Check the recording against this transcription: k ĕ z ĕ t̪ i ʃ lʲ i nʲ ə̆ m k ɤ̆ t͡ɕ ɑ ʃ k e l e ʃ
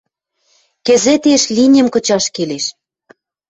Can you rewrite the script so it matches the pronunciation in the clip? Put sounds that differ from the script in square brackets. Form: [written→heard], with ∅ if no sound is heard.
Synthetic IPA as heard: k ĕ z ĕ t̪ [i→e] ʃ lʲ i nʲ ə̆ m k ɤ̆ t͡ɕ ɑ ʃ k e l e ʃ